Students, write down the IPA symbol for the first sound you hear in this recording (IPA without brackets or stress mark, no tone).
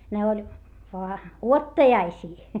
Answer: n